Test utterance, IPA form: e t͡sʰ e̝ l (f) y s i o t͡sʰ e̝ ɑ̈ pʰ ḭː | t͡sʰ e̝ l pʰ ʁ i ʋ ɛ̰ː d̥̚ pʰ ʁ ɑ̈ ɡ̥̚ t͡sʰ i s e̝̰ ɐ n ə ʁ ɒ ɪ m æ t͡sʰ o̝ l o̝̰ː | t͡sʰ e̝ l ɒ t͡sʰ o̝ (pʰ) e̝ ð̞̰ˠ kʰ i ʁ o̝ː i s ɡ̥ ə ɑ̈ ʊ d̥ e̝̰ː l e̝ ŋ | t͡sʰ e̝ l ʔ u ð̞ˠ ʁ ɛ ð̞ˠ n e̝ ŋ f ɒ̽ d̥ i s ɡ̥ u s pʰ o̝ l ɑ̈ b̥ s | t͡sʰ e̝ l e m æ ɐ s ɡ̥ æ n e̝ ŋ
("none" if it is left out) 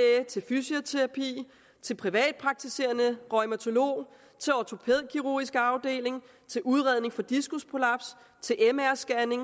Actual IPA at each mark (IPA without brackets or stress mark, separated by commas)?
f, pʰ